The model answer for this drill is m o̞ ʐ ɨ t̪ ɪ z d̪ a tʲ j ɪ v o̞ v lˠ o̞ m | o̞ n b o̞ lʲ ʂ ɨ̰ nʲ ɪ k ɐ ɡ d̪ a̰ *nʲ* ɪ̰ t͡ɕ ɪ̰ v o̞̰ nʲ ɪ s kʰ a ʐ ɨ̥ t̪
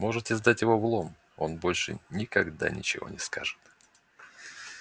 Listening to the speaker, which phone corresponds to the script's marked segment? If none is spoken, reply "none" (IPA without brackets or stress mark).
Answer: nʲ